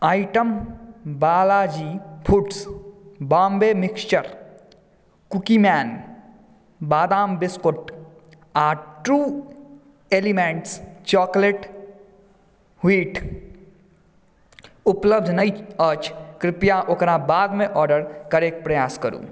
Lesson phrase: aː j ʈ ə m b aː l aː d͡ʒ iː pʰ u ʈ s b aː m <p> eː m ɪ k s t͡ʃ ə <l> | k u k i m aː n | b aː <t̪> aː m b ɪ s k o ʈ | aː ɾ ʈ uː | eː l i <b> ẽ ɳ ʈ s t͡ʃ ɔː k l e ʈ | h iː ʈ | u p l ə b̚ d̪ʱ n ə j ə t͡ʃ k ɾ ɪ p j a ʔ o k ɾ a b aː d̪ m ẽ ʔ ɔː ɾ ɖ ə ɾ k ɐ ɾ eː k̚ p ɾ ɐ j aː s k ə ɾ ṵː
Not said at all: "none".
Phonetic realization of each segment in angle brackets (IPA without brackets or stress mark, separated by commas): b, ɾ, d̪, m